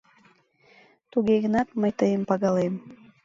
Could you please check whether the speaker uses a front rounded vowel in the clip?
no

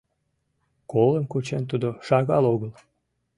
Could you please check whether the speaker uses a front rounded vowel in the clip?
no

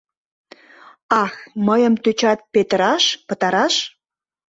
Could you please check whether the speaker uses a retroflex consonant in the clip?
no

